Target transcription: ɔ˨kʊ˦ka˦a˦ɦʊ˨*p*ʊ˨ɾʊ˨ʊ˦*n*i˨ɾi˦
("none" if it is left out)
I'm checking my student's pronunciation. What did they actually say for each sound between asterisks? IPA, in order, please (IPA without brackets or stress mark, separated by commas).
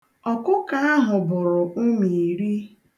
b, m